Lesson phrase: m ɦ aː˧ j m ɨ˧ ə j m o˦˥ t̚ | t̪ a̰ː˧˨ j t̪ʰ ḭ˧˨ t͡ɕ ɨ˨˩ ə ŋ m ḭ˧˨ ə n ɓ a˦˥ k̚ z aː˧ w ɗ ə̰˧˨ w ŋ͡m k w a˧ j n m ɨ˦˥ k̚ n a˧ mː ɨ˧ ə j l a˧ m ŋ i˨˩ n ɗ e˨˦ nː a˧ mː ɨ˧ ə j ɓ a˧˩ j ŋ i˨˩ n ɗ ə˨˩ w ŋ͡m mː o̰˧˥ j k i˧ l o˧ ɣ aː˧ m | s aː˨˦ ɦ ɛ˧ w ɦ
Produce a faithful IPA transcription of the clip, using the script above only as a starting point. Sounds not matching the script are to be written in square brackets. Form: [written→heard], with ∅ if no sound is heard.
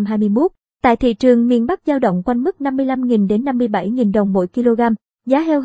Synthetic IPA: m ɦ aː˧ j m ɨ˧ ə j m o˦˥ t̚ | t̪ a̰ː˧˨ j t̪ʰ ḭ˧˨ t͡ɕ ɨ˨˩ ə ŋ m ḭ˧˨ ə n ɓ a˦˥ k̚ z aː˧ w ɗ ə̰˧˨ w ŋ͡m k w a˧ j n m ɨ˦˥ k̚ n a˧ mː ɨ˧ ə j l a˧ m ŋ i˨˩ n ɗ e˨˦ nː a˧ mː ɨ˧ ə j ɓ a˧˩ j ŋ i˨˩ n ɗ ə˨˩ w ŋ͡m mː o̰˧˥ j k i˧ l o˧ ɣ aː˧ m | [s→z] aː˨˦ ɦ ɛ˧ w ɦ